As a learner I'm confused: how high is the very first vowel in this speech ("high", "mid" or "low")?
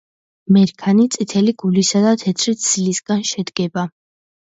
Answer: mid